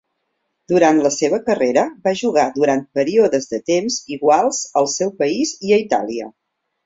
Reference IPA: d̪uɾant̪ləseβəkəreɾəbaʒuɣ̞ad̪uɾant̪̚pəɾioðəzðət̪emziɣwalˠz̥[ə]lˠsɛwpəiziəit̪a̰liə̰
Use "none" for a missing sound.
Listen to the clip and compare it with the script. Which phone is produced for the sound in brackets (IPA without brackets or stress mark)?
ə